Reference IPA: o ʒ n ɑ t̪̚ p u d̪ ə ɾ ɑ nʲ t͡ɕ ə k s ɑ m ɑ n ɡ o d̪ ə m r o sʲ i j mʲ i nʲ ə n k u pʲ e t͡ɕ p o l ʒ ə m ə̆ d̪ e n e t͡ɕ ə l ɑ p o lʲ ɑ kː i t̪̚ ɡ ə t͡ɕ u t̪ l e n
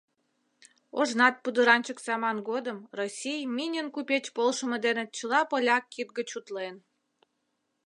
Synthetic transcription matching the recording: o ʒ n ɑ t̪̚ p u d̪ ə ɾ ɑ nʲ t͡ɕ ə k s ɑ m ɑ n ɡ o d̪ ə m r o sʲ i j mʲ i nʲ ə n k u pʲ e t͡ɕ p o l ʃ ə m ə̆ d̪ e n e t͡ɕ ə l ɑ p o lʲ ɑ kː i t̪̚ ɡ ə t͡ɕ u t̪ l e n